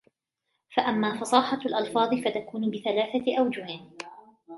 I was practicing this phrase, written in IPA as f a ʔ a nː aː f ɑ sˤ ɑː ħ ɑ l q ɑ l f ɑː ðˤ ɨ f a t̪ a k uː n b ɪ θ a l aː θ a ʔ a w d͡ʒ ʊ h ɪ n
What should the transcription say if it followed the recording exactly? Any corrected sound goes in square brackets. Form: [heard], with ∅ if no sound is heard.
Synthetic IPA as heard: f a ʔ a [mː] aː f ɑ sˤ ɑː ħ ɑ l [ʔ] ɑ l f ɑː ðˤ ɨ f a t̪ a k uː n b ɪ θ a l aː θ a ʔ a w d͡ʒ ʊ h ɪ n